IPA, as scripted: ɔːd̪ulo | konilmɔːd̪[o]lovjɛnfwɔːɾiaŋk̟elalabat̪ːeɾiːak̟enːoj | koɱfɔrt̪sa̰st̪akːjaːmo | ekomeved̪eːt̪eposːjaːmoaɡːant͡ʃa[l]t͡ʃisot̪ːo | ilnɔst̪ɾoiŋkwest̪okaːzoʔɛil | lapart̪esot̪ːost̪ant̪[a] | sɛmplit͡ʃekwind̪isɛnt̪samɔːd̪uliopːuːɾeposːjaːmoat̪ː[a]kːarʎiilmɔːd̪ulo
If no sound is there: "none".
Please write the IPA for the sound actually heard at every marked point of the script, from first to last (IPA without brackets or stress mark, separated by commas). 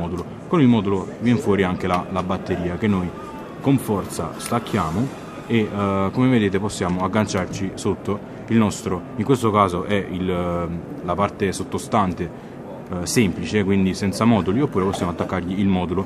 u, r, e, a